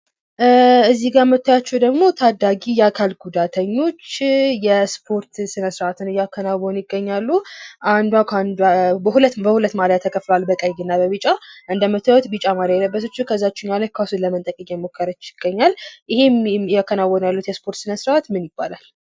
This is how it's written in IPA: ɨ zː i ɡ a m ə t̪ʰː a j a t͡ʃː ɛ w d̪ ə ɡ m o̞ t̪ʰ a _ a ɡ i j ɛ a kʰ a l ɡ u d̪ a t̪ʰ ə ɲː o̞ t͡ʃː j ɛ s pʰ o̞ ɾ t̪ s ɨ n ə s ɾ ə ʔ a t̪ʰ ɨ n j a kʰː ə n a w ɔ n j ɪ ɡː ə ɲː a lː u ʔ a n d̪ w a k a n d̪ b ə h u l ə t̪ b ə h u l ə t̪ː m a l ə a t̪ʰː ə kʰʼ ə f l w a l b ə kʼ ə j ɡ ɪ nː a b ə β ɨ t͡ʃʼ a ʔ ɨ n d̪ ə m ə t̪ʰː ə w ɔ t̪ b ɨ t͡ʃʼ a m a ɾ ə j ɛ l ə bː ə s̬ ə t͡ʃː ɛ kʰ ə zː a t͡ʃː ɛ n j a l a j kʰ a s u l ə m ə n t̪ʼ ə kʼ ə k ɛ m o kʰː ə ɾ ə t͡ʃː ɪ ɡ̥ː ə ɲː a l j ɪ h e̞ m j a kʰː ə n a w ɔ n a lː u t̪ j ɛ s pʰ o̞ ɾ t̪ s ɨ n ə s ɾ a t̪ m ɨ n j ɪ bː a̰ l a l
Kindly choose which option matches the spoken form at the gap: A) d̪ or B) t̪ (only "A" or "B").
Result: A